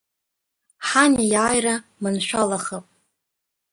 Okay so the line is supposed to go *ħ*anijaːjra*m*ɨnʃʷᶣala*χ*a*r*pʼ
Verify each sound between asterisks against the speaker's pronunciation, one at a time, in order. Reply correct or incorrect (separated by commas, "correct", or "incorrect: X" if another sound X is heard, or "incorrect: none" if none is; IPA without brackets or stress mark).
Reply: correct, correct, correct, incorrect: none